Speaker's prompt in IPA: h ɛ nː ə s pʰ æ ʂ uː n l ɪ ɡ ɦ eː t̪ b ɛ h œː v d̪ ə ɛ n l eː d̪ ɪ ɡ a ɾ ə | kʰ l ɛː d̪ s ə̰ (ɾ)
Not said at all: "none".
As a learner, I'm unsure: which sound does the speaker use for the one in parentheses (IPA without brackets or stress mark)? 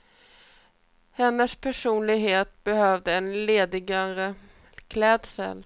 l